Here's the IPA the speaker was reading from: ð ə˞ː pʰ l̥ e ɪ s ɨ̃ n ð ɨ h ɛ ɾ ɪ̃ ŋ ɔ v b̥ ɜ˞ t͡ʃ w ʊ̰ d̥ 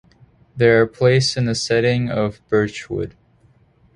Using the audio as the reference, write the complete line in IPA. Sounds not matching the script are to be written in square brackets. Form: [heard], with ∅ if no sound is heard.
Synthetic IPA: ð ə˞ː pʰ l̥ e ɪ s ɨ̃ n ð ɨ [s] ɛ ɾ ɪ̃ ŋ [ʌ] v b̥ ɜ˞ t͡ʃ w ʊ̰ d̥

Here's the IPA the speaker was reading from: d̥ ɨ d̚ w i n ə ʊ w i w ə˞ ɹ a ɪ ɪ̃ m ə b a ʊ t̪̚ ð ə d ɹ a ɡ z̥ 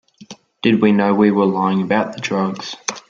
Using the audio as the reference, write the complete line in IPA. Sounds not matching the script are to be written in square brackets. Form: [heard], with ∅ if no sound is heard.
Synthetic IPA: d̥ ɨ d̚ w i n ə ʊ w i w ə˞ [l] a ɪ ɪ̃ [ŋ] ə b a ʊ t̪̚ ð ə d ɹ [ʌ] ɡ z̥

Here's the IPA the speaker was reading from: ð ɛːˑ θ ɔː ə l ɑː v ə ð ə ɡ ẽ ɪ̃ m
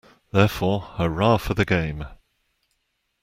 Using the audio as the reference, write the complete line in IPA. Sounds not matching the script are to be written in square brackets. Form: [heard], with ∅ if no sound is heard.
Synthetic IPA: ð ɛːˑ [f] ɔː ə [ɹ] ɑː [f] ə ð ə ɡ ẽ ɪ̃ m

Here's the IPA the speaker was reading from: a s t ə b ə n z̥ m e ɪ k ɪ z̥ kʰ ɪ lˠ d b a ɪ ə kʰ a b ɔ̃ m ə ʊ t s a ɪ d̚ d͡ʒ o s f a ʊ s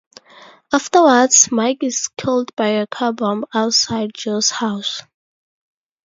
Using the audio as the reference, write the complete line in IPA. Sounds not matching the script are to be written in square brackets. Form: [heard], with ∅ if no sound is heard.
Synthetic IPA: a [f] t ə [w] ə [d] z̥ m [a] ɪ k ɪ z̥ kʰ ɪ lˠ d b a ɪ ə kʰ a b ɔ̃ m [a] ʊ t s a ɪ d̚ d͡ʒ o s [h] a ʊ s

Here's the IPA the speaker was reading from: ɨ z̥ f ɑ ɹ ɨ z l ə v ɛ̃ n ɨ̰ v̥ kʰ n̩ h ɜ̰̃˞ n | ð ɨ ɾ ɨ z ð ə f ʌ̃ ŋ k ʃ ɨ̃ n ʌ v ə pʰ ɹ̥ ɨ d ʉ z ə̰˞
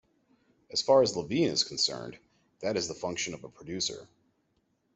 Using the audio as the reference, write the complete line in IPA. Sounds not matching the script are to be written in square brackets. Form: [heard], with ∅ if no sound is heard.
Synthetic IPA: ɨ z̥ f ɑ ɹ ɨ z l ə v [ĩ] n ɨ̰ [z̥] kʰ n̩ [s] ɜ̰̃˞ n | ð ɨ ɾ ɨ z ð ə f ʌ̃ ŋ k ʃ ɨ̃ n ʌ v ə pʰ ɹ̥ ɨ d ʉ [s] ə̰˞

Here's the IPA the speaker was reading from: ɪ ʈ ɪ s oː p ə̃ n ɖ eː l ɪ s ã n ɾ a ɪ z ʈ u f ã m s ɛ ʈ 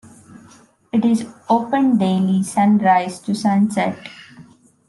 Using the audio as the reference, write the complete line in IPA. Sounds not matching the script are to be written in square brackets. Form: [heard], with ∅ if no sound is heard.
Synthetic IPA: ɪ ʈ ɪ [z] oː p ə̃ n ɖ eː l [i] s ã n ɾ a ɪ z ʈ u [s] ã [n] s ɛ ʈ

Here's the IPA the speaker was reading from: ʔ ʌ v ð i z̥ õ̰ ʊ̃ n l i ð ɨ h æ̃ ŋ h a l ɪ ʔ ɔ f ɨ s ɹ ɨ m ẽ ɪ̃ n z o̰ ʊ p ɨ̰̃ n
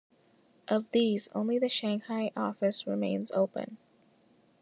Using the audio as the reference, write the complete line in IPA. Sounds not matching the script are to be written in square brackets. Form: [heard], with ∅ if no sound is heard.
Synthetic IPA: ʔ ʌ v ð i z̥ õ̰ ʊ̃ n l i ð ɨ [ʃ] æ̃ ŋ h a [∅] ɪ ʔ ɔ f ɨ s ɹ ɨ m ẽ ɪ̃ n z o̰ ʊ p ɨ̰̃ n

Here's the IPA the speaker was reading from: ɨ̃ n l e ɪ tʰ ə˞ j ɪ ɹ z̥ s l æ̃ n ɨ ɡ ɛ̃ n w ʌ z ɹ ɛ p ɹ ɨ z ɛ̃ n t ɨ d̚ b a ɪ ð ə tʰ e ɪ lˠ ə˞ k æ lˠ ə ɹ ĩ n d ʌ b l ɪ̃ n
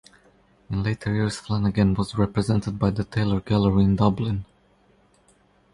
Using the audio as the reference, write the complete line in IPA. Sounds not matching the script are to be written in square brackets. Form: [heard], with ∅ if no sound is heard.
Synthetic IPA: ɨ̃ n l e ɪ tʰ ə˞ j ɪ ɹ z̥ [f] l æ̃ n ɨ ɡ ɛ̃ n w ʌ z ɹ ɛ p ɹ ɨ z ɛ̃ n t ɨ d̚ b a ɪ ð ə tʰ e ɪ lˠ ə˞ [ɡ] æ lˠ ə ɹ ĩ n d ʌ b l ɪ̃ n

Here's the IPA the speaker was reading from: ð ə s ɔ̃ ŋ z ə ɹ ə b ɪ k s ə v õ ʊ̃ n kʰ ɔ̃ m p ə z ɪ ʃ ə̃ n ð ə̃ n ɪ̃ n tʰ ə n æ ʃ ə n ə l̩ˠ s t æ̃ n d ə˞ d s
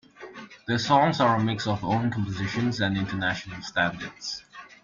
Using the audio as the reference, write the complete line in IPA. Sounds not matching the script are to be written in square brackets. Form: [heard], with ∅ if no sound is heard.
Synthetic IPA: ð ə s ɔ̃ ŋ z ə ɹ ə [m] ɪ k s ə v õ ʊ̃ n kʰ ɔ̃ m p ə z ɪ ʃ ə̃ n [z] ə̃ n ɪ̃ n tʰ ə n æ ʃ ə n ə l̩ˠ s t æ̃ n d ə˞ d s

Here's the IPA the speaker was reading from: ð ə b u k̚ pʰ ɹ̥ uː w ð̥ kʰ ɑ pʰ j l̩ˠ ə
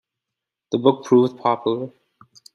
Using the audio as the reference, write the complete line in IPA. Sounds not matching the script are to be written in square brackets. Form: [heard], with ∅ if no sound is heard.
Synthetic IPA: ð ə b [ʊ] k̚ pʰ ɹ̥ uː [v] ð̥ [pʰ] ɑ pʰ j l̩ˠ ə

